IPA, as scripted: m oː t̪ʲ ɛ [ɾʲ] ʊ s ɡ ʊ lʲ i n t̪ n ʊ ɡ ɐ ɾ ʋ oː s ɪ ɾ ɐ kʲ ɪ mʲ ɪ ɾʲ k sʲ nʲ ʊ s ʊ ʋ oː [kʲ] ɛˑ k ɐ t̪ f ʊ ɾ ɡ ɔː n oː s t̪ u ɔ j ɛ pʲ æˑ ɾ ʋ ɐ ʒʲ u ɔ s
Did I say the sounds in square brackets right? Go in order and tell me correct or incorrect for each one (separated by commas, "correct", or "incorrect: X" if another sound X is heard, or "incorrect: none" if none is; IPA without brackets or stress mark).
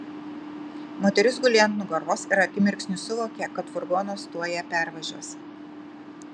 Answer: correct, correct